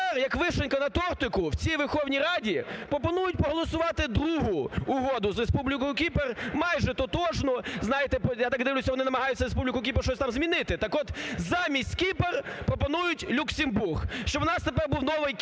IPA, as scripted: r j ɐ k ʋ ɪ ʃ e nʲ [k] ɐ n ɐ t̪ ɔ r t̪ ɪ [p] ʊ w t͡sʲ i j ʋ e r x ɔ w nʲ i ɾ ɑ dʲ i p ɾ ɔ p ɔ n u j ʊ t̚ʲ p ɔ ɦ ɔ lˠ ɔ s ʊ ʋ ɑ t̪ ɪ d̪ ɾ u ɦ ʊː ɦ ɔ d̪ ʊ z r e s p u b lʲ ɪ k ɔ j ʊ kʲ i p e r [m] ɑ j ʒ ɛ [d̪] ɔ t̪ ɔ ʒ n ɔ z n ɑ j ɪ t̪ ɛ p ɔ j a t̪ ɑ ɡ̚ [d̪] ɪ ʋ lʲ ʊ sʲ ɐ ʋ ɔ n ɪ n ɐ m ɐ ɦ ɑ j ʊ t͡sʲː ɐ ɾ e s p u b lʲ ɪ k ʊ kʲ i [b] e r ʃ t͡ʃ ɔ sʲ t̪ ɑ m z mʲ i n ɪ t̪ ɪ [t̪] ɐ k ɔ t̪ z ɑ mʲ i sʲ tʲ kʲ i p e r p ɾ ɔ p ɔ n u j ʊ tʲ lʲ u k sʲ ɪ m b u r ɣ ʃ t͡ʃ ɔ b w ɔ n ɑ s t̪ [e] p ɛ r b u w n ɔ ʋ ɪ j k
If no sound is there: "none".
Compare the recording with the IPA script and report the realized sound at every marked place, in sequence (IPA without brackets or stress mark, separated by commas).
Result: k, k, m, t̪, d̪, p, t̪, e